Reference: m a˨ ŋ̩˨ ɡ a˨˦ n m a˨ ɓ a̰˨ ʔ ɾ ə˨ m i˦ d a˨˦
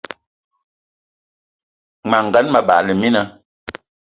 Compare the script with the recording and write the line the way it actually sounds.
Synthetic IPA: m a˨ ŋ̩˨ ɡ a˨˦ n m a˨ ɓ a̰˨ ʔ l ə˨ m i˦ n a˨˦

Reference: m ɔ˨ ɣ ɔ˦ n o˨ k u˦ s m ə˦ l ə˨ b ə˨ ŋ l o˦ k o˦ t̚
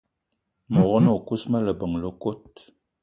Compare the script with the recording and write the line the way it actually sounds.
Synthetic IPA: m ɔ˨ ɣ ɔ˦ n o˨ k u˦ s m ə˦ l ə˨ b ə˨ ŋ l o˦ k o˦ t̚

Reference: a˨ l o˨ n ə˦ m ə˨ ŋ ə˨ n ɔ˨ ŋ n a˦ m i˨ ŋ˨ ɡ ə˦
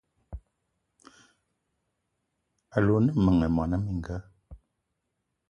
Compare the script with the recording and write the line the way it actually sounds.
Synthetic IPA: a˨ l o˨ n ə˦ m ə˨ ŋ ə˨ m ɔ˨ n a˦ m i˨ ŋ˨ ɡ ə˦

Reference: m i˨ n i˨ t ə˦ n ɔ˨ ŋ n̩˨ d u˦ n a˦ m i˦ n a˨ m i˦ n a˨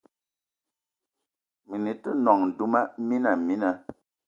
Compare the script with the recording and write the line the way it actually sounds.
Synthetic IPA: m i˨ n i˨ t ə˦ n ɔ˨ ŋ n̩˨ d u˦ m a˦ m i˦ n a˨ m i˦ n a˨

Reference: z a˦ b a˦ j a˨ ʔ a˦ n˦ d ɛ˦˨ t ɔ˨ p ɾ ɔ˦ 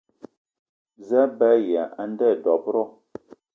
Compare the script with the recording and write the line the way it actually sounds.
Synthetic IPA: z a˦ b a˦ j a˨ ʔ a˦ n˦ d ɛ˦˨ d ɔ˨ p ɾ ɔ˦

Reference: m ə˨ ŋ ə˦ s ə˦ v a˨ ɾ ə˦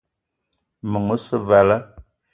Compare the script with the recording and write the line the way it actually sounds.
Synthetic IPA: m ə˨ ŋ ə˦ s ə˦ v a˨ l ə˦

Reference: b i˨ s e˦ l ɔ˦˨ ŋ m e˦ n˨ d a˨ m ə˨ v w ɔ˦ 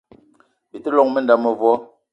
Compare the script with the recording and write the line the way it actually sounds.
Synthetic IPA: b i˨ t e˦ l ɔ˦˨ ŋ m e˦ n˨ d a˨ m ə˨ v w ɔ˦

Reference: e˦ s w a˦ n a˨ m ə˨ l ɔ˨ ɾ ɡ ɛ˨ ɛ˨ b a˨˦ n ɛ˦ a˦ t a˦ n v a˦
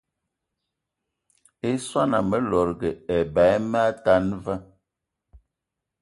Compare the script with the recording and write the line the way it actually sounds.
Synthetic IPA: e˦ s w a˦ n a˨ m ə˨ l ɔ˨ ɾ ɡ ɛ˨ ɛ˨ b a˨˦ m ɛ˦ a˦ t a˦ n v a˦

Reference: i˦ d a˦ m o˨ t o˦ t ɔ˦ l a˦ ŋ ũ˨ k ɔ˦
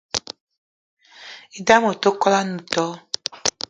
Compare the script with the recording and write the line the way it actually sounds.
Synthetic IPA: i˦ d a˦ m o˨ t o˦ k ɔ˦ l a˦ n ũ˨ t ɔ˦

